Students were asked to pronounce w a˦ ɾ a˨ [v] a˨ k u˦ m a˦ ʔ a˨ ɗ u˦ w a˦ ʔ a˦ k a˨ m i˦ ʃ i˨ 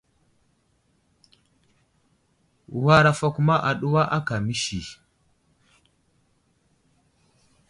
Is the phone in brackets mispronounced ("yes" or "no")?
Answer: yes